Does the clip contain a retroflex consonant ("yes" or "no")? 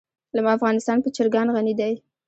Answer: no